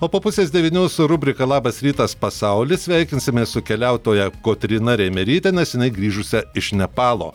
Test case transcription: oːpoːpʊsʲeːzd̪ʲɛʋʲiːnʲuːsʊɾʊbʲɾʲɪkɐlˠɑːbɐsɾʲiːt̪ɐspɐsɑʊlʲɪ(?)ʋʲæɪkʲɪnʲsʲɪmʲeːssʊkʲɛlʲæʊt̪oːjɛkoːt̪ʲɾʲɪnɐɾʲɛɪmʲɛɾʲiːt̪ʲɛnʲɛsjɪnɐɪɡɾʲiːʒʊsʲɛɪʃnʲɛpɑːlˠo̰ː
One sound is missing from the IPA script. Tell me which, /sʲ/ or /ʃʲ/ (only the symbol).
sʲ